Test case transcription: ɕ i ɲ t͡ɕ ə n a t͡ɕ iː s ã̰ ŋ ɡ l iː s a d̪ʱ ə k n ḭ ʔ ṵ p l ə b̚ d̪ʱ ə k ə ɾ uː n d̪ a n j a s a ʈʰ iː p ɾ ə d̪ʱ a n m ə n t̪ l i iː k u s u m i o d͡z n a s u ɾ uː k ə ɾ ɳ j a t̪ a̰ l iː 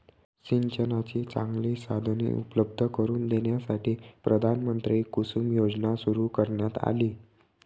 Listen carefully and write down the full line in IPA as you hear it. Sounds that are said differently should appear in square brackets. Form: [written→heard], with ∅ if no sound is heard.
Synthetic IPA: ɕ i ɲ t͡ɕ ə n a t͡ɕ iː [s→t͡s] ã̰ ŋ ɡ l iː s a d̪ʱ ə [k→∅] n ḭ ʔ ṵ p l ə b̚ d̪ʱ ə k ə ɾ uː n d̪ [a→e] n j a s a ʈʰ iː p ɾ ə d̪ʱ a n m ə n t̪ [l→ɾ] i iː k u s u m [i→j] o d͡z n a s u ɾ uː k ə ɾ ɳ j a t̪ a̰ l iː